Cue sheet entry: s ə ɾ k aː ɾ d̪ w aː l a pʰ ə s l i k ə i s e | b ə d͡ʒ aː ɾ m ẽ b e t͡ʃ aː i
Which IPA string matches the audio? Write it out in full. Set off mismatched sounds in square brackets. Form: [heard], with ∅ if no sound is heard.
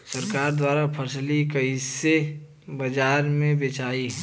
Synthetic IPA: s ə ɾ k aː ɾ d̪ w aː [ɾ] a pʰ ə s l i k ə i s e | b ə d͡ʒ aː ɾ m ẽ b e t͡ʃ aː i